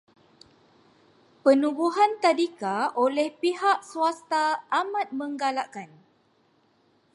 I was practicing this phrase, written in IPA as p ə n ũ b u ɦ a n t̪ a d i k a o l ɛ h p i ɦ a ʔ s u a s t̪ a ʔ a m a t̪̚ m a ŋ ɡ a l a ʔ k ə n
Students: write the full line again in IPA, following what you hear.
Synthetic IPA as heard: p ə n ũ b u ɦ a n t̪ a d i k a o l ɛ h p i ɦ a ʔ s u a s t̪ a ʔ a m a t̪̚ m ə ŋ ɡ a l a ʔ k a n